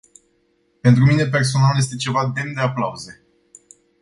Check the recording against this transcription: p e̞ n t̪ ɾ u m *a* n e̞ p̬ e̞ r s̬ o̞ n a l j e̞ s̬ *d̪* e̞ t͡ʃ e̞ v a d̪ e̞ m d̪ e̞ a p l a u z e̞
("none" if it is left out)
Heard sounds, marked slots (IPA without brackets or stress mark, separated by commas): i, t̪